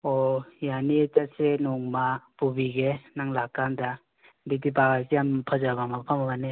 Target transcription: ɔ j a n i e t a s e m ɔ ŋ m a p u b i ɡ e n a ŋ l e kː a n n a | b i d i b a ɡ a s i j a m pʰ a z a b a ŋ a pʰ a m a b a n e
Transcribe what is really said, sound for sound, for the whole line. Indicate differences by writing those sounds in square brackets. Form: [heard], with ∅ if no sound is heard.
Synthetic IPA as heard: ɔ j a n i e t a s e [n] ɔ ŋ m a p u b i ɡ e n a ŋ l [a] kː a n [d] a | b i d i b a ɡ a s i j a m pʰ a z a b a [m] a pʰ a m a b a n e